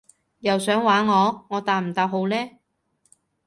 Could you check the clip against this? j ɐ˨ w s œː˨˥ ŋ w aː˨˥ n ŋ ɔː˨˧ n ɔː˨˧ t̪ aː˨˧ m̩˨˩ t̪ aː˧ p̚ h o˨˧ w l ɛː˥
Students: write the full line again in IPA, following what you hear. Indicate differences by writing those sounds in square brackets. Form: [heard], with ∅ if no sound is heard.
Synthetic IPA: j ɐ˨ w s œː˨˥ ŋ w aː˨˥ n ŋ ɔː˨˧ [ŋ] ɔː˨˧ t̪ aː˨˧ m̩˨˩ t̪ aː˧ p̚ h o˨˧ w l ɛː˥